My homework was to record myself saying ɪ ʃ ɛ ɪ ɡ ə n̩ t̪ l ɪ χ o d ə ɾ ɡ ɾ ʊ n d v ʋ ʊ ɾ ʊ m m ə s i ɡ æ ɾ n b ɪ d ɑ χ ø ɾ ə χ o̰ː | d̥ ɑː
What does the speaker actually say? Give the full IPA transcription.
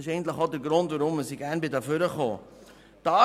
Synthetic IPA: ɪ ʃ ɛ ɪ ɡ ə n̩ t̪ l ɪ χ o d ə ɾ ɡ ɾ ʊ n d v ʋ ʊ ɾ ʊ m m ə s i ɡ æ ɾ n b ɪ d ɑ f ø ɾ ə χ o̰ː | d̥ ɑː

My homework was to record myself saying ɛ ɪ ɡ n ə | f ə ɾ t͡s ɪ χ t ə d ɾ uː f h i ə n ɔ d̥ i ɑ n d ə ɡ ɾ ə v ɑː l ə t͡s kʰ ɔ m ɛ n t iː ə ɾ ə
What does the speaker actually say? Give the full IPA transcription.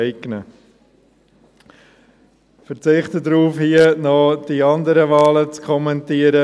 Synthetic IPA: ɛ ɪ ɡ n ə | f ə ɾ t͡s ɪ χ t ə d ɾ uː f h i ə n ɔ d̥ i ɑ n d ə ɾ ə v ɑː l ə t͡s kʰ ɔ m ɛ n t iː ə ɾ ə

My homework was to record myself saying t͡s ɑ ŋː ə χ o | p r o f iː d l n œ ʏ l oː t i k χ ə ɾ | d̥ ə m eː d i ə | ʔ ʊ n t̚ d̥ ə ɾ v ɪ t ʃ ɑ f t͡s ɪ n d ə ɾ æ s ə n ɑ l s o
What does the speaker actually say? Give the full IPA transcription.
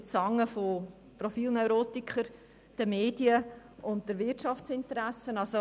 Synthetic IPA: t͡s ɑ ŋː ə f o | p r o f iː l n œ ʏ ɾ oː t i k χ ə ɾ | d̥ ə m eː d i ə | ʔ ʊ n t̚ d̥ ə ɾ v ɪ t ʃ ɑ f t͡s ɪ n t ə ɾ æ s ə n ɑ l s o

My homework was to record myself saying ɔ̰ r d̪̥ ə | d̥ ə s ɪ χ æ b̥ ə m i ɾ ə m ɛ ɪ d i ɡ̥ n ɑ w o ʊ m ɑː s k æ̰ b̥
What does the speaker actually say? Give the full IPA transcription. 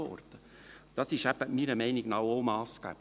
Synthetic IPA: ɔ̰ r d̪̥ ə | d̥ ɑ s ɪ ʃ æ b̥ ə m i ɾ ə m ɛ ɪ n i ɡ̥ n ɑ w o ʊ m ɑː s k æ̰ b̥

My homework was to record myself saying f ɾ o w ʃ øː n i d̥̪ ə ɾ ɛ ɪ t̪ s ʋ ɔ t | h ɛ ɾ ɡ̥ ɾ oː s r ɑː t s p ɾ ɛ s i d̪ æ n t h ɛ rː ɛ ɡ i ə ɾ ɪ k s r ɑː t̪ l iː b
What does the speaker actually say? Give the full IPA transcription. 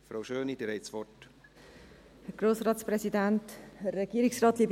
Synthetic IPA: f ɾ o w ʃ øː n i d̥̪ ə ɾ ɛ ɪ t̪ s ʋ ɔ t | h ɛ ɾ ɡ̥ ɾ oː s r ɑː t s p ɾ ɛ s i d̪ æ n t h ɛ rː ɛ ɡ i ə ɾ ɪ k s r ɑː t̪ l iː b

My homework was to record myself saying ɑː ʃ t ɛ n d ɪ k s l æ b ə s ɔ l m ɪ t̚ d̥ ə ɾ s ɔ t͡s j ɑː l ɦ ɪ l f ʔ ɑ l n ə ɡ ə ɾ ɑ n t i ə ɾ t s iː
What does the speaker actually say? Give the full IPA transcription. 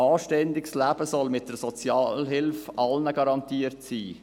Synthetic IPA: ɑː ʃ t ɛ n d ɪ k s l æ b ə s ɔ l m ɪ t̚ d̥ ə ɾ s ɔ t͡s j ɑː l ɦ ɪ l f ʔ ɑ l n ə ɡ ɑ ɾ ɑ n t i ə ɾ t s iː

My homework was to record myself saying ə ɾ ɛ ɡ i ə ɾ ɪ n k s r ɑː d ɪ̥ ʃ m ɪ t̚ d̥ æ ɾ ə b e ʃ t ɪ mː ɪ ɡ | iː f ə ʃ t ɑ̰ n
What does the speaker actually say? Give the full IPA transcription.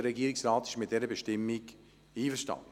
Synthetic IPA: ə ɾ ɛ ɡ i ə ɾ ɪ k s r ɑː t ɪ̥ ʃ m ɪ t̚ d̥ ɛ ɾ ə b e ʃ t ɪ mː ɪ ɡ | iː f ə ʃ t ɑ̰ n

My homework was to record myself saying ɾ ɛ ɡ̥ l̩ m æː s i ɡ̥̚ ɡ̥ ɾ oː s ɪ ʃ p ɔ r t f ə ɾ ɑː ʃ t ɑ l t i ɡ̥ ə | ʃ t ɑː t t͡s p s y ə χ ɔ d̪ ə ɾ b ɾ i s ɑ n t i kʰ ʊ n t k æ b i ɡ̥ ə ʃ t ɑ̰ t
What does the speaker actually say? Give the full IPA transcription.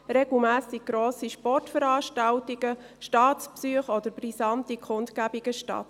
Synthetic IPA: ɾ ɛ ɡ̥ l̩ m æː s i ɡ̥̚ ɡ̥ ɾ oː s i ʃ p ɔ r t f ə ɾ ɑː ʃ t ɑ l t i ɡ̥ ə | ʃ t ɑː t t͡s p s y ə χ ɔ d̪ ə ɾ b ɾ i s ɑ n t i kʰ ʊ n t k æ b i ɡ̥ ə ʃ t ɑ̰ t

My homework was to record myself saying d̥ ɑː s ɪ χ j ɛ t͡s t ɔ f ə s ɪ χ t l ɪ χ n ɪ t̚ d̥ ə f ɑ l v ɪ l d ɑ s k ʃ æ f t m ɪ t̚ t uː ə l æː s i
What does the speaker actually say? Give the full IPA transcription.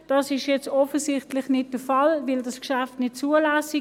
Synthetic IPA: d̥ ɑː s ɪ ʃ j ɛ t͡s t ɔ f ə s ɪ χ t l ɪ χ n ɪ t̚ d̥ ə f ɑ l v ɪ l d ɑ s k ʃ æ f t n ɪ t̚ t͡s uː ə l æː s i

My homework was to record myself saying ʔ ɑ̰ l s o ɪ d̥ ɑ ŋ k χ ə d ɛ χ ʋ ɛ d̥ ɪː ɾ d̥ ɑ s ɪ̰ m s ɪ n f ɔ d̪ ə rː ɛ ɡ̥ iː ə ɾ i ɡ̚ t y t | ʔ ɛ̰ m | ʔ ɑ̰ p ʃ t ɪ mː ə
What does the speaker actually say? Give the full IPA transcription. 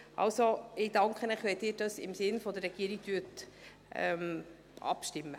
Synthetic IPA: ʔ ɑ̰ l s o ɪ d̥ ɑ ŋ k χ ə n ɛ χ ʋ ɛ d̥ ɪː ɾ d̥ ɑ s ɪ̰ m s ɪ n f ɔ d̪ ə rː ɛ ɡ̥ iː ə ɾ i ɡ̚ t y t | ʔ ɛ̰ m | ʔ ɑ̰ p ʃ t ɪ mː ə

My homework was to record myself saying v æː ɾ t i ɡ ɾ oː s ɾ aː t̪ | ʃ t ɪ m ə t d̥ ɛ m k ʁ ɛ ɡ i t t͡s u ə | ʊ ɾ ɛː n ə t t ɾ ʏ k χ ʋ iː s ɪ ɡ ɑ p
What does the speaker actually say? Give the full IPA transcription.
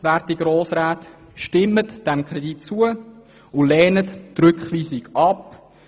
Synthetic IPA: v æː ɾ t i ɡ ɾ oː s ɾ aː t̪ | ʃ t ɪ m ə t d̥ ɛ m k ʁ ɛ d i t t͡s u ə | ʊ l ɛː n ə t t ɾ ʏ k χ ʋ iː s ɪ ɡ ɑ p

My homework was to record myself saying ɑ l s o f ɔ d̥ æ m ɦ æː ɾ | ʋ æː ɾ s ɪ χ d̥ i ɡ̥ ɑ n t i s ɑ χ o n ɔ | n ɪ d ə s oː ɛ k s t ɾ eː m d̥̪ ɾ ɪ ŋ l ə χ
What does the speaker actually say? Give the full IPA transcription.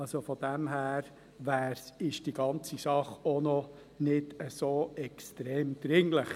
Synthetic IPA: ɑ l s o f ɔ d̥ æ m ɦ æː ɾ | ʋ æː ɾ s ɪ ʃ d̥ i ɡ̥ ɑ n t͡s i s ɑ χ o n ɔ | n ɪ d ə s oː ɛ k s t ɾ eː m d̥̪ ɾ ɪ ŋ l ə χ

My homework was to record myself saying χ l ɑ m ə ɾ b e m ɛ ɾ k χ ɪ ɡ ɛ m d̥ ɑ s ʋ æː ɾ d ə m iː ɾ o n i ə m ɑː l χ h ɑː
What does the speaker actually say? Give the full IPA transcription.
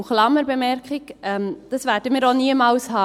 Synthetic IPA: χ l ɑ m ə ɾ b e m ɛ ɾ k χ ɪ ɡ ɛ m d̥ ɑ s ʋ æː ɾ d ə m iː ɾ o n i ə m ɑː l s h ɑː

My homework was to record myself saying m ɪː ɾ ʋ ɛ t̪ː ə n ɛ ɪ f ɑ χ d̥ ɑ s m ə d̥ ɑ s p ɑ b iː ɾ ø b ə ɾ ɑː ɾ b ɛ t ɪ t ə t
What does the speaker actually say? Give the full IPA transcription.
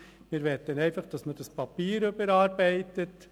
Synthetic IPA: m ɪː ɾ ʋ ɛ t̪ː ə n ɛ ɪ f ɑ χ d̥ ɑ s m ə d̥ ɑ s p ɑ p iː ɾ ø b ə ɾ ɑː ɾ b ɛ ɪ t ə t

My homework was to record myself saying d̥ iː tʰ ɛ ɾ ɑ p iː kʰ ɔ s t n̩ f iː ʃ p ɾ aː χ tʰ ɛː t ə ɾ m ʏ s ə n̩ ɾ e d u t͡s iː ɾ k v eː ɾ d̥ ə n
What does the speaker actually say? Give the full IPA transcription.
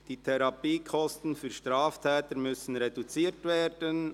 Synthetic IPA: d̥ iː tʰ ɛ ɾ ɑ p iː kʰ ɔ s t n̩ f yː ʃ t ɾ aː f tʰ ɛː t ə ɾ m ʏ s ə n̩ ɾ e d u t͡s iː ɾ t v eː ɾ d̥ ə n

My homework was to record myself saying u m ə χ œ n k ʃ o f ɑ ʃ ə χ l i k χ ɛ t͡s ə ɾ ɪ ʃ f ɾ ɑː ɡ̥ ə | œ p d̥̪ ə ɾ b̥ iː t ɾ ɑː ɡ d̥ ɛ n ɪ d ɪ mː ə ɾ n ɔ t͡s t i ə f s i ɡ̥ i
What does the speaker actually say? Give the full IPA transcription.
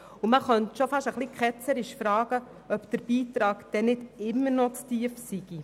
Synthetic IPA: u m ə χ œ n t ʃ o f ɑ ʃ ə χ l i k χ ɛ t͡s ə ɾ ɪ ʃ f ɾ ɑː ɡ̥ ə | œ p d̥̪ ə ɾ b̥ iː t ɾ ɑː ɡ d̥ ɛ n ɪ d ɪ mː ə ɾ n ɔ t͡s t i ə f s i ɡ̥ i

